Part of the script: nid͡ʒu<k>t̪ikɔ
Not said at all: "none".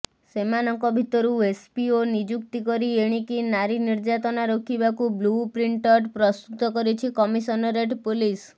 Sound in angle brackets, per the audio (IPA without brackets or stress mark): k